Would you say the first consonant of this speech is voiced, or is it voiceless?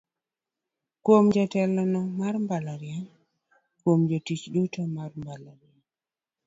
voiceless